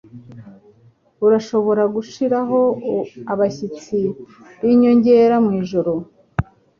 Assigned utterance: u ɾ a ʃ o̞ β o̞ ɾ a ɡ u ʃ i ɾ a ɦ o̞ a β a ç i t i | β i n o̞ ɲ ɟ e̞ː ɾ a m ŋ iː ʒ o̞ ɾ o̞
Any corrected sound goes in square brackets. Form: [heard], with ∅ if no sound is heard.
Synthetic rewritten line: u ɾ a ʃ o̞ β o̞ ɾ a ɡ u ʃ i ɾ a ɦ o̞ a β a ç i [t͡s] i | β i [ɲ] o̞ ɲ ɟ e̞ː ɾ a m ŋ iː ʒ o̞ ɾ o̞